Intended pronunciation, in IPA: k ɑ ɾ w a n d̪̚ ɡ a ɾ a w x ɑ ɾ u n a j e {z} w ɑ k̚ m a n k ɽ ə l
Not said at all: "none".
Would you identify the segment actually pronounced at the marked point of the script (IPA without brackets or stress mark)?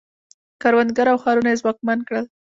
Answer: z